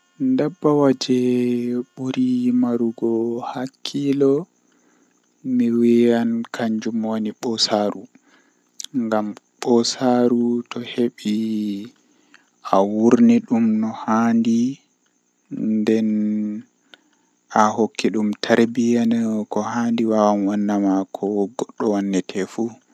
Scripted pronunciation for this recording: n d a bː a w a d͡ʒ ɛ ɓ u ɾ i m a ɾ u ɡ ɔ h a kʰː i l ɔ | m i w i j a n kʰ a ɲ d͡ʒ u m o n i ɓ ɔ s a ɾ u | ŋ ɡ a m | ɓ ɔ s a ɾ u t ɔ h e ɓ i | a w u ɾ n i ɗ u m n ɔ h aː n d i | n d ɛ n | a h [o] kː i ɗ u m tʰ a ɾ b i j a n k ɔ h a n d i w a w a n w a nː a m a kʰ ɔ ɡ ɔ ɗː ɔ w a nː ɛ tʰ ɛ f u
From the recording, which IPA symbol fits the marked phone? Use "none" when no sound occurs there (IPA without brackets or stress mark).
o